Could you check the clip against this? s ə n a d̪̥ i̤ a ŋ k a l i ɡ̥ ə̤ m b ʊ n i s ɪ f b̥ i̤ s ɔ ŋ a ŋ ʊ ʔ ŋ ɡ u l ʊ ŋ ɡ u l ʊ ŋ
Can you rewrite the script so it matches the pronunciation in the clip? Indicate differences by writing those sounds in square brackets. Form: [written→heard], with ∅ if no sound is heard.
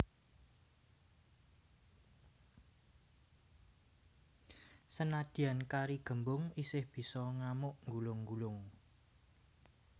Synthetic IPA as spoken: s ə n a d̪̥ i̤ a [ŋ→n] k a [l→ɾ] i ɡ̥ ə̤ m b ʊ [n→ŋ] i s ɪ [f→h] b̥ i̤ s ɔ ŋ a [ŋ→m] ʊ ʔ ŋ ɡ u l ʊ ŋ ɡ u l ʊ ŋ